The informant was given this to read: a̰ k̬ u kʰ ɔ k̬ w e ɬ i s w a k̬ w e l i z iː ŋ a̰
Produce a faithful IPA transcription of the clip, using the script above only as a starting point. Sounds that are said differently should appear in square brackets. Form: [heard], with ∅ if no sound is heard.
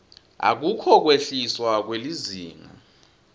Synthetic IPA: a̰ k̬ u kʰ ɔ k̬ w e ɬ i s w a k̬ w e l i z iː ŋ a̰